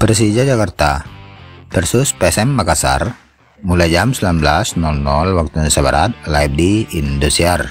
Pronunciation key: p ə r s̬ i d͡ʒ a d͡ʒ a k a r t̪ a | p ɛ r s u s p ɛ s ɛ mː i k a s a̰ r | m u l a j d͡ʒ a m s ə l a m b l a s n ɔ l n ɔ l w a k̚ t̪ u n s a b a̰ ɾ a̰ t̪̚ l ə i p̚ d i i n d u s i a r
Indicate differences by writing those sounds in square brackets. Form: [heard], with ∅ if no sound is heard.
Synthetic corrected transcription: p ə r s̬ i d͡ʒ a d͡ʒ a k a r t̪ a | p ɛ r s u s p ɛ s ɛ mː [a] k a s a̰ r | m u l a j d͡ʒ a m s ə l a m b l a s n ɔ l n ɔ l w a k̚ t̪ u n s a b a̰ ɾ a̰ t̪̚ l [a] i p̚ d i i n d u s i a r